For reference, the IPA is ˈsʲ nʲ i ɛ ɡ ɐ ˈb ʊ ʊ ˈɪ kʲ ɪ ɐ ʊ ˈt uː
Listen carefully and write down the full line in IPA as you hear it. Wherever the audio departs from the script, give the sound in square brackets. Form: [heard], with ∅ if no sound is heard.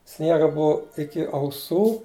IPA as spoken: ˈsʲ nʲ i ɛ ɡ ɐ ˈb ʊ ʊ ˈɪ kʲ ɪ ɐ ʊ [ˈs] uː